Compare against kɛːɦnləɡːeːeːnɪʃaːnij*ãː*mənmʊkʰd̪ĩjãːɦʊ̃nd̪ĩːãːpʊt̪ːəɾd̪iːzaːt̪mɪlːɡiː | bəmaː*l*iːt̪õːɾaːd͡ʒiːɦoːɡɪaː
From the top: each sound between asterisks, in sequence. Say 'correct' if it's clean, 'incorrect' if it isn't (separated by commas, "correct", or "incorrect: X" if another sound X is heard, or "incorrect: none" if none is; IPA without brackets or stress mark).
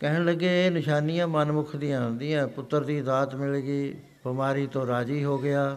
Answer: correct, incorrect: ɾ